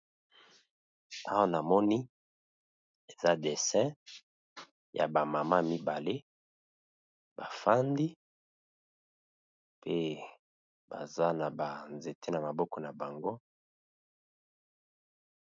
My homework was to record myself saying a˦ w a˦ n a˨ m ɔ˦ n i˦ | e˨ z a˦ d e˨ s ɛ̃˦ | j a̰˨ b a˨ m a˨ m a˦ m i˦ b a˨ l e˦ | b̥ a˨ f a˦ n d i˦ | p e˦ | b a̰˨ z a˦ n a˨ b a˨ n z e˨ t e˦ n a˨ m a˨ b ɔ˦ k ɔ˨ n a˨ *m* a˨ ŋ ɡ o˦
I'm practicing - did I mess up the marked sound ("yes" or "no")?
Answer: yes